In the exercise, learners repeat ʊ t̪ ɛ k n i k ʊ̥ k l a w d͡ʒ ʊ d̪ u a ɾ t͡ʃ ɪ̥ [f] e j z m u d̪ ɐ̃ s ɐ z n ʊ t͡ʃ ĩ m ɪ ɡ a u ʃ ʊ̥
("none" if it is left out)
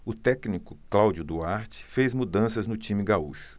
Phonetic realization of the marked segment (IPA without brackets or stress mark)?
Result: f